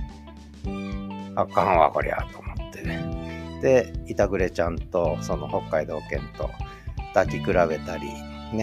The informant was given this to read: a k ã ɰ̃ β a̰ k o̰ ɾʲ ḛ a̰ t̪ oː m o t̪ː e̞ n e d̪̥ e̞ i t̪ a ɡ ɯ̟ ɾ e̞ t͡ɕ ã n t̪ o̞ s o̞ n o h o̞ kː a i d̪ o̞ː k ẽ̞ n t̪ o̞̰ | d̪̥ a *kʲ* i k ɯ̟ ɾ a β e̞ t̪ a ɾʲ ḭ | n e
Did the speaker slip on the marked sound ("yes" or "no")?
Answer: no